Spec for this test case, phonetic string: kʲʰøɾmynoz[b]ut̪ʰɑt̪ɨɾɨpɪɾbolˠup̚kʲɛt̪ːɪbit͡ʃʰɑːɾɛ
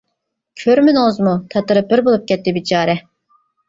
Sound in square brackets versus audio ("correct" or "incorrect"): incorrect